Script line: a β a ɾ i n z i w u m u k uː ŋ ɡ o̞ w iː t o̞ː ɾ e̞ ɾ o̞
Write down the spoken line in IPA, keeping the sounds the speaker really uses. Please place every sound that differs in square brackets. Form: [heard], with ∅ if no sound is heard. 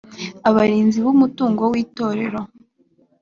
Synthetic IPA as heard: a β a ɾ [iː] n z i [β] u m u [t] uː ŋ ɡ o̞ w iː t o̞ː ɾ e̞ ɾ o̞

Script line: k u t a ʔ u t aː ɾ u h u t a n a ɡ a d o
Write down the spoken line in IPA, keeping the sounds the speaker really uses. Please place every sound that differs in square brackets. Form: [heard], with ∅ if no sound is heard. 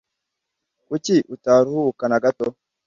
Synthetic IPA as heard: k u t [i] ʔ u t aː ɾ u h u [k] a n a ɡ a [t] o

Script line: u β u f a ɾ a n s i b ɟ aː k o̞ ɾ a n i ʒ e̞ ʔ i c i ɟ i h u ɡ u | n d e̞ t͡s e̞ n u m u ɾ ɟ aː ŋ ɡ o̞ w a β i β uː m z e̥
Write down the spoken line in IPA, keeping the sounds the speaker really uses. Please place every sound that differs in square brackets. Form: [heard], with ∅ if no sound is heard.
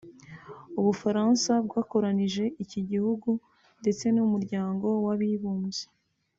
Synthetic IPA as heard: u β u f a ɾ a n s [a] b [ɡ] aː k o̞ ɾ a n i ʒ e̞ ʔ i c i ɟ i h u ɡ u | n d e̞ t͡s e̞ n u m u ɾ ɟ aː ŋ ɡ o̞ w a β i β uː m z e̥

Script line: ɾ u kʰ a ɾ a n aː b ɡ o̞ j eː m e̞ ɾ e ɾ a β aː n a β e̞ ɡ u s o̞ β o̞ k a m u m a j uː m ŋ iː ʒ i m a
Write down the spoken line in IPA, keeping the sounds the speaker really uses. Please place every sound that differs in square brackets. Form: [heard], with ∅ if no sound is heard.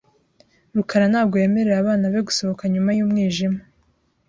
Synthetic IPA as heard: ɾ u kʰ a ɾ a n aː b ɡ o̞ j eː m e̞ ɾ e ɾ a β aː n a β e̞ ɡ u s o̞ β o̞ k a [ɲ] u m a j uː m ŋ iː ʒ i m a

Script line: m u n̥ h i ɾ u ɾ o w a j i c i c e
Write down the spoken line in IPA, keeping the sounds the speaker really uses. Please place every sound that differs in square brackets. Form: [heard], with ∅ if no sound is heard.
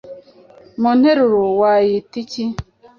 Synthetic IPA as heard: m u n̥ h [e] ɾ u ɾ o w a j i [t] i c [i]

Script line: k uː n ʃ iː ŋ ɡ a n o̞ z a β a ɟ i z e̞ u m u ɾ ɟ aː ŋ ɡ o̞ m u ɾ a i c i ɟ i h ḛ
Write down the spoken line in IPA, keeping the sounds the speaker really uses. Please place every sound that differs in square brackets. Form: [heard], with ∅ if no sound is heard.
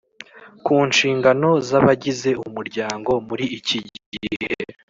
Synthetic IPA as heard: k uː n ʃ iː ŋ ɡ a n o̞ z a β a ɟ i z e̞ u m u ɾ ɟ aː ŋ ɡ o̞ m u ɾ [i] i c i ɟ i h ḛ

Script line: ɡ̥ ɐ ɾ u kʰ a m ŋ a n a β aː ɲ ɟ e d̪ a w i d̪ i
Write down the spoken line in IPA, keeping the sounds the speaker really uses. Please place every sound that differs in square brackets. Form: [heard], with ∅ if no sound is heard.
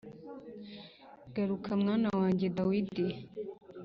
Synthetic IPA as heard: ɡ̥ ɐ ɾ u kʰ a m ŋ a n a [w] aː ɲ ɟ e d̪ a w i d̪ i

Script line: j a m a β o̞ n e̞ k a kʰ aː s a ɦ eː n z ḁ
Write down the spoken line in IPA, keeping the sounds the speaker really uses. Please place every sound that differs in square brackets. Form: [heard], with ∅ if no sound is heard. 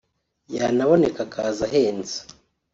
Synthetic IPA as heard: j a [n] a β o̞ n e̞ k a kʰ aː [z] a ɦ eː n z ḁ

